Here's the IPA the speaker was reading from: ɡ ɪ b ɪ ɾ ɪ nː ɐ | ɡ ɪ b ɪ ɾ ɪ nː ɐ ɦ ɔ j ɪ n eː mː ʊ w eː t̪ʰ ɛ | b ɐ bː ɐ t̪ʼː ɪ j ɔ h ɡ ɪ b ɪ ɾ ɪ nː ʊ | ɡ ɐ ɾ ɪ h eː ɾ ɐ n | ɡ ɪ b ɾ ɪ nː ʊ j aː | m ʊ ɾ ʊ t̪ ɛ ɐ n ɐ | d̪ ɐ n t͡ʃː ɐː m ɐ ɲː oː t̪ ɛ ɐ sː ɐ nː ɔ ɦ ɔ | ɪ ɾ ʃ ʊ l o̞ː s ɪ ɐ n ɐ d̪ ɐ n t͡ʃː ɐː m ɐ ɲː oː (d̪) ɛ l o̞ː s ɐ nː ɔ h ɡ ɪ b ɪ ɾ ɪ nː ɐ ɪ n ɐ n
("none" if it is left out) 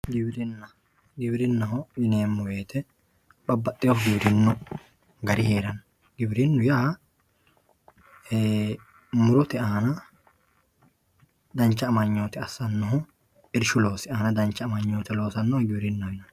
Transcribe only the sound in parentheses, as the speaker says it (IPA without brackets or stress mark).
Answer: t̪